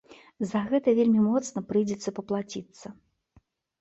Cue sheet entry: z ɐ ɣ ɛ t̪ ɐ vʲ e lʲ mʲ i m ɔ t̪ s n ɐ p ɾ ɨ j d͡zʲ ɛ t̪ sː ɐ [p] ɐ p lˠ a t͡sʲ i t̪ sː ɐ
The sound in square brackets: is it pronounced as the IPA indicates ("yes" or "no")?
yes